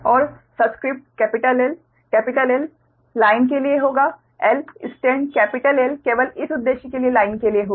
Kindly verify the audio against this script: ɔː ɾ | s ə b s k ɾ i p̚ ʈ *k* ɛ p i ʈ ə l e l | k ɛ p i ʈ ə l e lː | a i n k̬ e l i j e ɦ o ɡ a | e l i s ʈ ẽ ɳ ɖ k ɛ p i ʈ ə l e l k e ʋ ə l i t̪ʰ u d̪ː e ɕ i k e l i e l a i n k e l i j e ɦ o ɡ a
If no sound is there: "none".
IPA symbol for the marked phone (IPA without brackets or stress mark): k